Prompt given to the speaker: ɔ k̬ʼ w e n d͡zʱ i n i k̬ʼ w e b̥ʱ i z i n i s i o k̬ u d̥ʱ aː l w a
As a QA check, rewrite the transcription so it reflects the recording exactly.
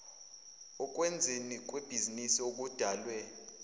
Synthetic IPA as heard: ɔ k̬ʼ w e n d͡zʱ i n i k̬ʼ w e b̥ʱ i z i n i s i o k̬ u d̥ʱ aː l w ɛ